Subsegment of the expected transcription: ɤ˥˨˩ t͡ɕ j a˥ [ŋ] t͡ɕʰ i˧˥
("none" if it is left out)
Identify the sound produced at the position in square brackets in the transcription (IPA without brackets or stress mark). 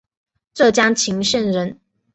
ŋ